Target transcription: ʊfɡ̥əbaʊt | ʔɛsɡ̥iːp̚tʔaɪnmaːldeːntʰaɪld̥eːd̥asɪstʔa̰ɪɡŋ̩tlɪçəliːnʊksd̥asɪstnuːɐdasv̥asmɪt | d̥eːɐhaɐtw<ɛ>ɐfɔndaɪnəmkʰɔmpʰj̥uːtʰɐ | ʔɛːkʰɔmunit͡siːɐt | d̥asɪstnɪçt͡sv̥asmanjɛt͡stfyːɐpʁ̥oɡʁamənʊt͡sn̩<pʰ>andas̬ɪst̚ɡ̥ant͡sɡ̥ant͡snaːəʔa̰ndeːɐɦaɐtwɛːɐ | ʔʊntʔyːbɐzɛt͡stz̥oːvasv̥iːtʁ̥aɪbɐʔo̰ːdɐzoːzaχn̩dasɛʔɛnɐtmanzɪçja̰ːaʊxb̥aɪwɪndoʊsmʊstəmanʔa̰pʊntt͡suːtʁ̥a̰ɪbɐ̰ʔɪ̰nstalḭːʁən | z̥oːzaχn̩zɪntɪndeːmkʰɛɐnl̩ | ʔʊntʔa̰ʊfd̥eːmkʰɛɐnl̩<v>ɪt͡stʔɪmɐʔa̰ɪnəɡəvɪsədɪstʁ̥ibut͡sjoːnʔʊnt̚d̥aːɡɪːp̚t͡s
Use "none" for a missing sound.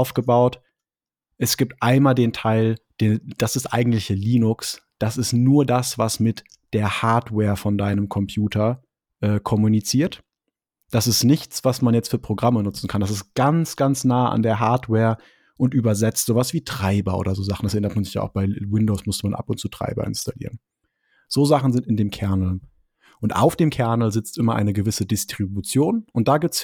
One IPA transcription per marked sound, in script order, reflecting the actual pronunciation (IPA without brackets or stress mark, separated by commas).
ɛː, kʰ, z